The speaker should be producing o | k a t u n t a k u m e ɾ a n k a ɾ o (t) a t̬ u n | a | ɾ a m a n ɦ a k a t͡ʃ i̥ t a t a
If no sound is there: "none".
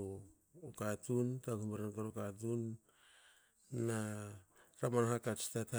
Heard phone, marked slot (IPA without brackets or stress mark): k